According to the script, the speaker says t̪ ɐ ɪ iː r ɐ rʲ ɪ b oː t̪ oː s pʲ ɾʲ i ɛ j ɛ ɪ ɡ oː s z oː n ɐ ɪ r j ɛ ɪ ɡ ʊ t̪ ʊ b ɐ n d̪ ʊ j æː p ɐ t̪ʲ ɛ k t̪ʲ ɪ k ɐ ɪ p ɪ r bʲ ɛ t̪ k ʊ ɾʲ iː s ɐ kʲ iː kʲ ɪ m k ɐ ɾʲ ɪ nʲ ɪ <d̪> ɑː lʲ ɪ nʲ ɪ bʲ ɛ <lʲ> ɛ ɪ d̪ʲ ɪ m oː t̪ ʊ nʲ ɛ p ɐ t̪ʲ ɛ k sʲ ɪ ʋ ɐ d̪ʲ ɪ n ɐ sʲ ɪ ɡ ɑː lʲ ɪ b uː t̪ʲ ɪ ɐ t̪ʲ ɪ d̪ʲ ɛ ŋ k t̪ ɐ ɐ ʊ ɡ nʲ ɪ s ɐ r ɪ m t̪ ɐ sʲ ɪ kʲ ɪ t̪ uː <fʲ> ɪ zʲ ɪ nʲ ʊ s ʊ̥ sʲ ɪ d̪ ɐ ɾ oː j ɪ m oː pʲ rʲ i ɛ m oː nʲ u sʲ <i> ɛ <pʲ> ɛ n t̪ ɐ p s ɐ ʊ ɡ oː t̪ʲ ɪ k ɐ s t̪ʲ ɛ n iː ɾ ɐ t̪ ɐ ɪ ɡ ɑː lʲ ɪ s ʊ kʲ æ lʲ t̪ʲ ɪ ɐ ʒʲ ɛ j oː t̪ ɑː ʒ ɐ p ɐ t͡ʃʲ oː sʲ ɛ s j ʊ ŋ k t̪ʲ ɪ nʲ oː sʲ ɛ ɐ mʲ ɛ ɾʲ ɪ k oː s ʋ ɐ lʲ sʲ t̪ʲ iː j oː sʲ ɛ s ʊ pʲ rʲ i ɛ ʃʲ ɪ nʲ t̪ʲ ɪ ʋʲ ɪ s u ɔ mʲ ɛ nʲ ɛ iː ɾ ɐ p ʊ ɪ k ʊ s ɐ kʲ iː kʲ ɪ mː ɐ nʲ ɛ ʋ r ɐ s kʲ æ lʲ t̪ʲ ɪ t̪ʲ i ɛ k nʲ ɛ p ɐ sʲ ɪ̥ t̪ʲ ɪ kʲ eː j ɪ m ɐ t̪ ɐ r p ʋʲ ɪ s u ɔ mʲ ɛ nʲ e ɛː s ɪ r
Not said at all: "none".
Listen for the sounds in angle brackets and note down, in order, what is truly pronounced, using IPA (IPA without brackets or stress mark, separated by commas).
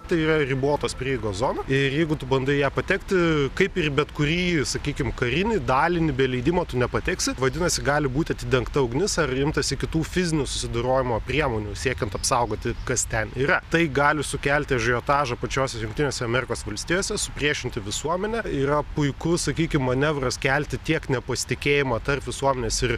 d̪, lʲ, fʲ, i, kʲ